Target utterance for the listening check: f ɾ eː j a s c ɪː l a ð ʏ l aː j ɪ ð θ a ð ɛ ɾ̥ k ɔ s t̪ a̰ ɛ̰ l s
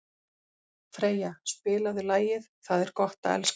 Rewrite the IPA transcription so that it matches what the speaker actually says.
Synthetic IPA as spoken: f ɾ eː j a s p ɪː l a ð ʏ l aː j ɪ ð θ a ð ɛ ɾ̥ k ɔ h t̪ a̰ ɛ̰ l s

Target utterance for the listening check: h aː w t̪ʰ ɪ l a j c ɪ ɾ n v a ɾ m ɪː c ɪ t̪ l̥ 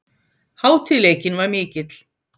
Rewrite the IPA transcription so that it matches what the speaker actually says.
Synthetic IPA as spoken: h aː w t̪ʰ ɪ l e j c ɪ n v a ɾ m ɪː c ɪ t̪ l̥

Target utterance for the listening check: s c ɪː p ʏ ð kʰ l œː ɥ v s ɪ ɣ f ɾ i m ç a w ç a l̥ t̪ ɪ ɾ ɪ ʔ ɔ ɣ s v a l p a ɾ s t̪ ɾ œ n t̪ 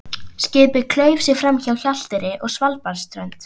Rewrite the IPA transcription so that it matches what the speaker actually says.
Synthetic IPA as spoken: s c ɪː p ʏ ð kʰ l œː ɥ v s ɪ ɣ f ɾ a m ç a w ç a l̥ t̪ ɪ ɾ ɪ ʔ ɔ ɣ s v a l p a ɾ s t̪ ɾ œ n t̪

